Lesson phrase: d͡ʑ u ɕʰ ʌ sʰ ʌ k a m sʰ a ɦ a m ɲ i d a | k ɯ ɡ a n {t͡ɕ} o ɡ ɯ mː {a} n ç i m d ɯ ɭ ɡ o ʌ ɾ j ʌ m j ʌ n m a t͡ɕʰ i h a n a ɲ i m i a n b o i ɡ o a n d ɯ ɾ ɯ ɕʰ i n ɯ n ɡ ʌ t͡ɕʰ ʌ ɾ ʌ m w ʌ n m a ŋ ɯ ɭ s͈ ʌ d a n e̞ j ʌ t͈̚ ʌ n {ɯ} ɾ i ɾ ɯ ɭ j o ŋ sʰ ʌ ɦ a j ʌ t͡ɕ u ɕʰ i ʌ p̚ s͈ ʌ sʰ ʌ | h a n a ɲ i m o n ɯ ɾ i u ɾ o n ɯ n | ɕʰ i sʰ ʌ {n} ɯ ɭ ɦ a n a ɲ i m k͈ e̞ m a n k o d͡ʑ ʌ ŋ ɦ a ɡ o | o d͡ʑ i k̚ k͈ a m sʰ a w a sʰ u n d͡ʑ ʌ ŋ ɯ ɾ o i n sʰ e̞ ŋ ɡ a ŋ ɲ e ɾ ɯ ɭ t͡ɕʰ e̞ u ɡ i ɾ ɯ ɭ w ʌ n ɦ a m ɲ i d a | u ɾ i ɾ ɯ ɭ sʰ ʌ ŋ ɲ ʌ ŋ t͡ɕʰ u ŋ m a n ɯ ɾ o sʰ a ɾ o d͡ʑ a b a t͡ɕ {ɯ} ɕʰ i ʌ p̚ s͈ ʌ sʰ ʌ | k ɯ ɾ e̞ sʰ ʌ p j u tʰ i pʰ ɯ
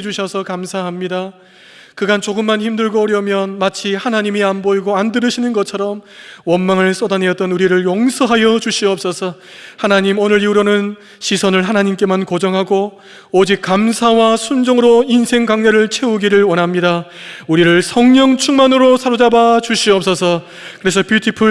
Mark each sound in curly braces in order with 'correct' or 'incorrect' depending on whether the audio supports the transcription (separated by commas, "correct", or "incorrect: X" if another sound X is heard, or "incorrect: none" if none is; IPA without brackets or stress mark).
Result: correct, correct, incorrect: u, correct, incorrect: u